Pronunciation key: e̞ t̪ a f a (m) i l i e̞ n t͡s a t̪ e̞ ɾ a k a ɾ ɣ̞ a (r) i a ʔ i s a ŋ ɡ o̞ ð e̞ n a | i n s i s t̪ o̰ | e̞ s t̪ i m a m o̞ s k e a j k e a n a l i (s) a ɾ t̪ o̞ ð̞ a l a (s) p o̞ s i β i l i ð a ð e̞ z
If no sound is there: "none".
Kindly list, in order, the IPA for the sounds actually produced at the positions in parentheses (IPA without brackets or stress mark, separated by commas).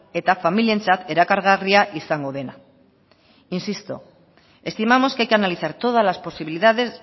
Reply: m, r, θ, s